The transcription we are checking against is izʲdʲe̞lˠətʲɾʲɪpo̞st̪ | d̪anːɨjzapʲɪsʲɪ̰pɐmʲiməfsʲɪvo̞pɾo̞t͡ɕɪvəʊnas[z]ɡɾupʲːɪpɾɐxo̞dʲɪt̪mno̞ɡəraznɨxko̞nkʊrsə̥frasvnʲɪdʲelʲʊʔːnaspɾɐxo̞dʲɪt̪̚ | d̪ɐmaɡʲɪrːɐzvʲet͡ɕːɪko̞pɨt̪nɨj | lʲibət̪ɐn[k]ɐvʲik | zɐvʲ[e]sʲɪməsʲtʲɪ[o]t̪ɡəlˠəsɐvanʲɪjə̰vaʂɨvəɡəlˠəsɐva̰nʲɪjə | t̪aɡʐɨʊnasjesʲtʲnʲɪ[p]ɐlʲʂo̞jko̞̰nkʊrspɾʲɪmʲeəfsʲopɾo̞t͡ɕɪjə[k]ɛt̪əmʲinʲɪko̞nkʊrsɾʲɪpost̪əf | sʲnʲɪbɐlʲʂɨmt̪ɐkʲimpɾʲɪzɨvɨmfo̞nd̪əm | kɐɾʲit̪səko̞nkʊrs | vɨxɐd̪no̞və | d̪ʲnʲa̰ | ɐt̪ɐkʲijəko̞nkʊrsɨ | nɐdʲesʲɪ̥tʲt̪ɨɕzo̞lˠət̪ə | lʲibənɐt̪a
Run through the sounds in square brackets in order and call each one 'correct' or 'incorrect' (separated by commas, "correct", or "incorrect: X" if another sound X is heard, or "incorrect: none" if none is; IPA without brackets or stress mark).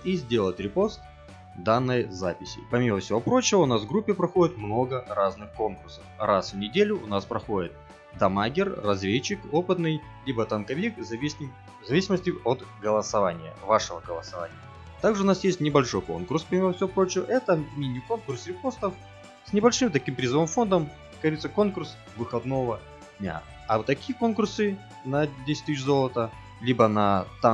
incorrect: v, correct, incorrect: i, correct, incorrect: b, incorrect: ʔ